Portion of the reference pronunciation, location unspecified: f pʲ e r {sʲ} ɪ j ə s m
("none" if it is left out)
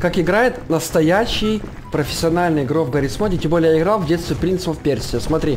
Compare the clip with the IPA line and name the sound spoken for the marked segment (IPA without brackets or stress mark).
sʲ